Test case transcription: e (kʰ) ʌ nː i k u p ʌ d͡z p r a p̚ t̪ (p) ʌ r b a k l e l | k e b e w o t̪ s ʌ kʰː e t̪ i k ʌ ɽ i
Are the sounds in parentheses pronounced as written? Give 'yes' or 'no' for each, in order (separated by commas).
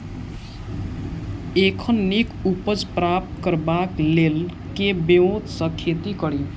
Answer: yes, no